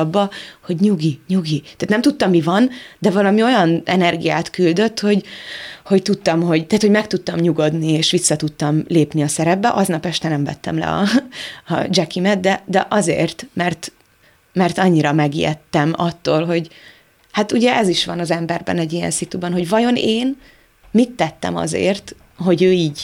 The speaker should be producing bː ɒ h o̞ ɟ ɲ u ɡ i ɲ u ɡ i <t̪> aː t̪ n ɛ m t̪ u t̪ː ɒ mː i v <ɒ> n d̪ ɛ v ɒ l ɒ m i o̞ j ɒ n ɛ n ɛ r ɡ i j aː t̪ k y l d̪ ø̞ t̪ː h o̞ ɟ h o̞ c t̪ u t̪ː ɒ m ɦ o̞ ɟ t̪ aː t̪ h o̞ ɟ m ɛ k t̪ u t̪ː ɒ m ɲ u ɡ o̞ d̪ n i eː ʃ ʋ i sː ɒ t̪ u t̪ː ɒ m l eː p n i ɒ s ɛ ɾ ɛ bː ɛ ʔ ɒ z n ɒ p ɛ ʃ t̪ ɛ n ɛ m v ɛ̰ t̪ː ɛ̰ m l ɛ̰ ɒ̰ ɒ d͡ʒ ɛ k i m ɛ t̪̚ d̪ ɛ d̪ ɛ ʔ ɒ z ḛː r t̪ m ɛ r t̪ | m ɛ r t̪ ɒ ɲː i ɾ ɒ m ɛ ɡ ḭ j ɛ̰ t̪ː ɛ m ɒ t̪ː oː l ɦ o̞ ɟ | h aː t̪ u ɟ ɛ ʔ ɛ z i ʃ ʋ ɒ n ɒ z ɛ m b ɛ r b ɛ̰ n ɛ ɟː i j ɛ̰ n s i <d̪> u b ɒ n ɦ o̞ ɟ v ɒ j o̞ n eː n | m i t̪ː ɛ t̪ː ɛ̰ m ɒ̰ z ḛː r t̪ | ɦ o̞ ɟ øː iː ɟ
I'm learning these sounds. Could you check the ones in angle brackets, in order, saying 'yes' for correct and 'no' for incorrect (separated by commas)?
yes, yes, no